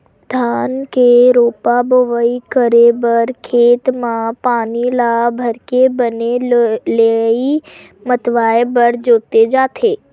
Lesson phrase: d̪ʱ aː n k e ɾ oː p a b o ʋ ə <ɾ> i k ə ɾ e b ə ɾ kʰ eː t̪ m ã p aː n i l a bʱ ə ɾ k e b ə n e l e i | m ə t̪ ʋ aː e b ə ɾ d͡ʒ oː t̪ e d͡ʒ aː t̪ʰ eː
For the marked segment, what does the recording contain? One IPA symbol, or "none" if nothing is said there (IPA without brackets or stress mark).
none